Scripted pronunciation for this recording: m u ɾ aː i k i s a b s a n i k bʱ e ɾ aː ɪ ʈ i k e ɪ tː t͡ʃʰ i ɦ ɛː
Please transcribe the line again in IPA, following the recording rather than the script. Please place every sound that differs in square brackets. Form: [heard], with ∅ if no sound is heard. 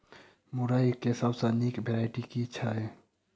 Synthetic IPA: m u ɾ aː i k [e] s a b s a n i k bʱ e ɾ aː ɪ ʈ i k [i] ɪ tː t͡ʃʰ [a] ɦ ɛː